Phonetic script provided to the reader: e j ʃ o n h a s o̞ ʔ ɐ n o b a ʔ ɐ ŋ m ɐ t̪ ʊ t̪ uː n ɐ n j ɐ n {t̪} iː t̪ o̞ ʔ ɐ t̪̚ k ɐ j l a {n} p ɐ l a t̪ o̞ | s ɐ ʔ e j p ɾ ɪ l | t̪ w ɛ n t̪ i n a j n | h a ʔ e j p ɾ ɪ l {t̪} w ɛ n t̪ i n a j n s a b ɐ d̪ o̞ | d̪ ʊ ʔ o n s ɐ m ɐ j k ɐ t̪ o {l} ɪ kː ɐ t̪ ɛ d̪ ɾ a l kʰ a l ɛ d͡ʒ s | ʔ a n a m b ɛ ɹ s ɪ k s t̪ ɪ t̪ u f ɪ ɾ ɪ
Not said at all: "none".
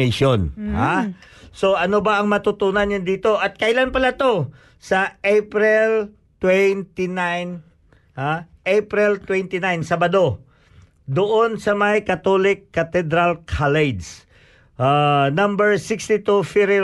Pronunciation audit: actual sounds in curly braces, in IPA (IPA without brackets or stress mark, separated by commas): d̪, n, t̪, l